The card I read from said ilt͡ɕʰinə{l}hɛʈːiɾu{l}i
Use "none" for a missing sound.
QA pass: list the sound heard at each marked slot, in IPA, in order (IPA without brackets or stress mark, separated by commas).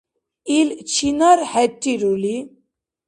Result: ɾ, l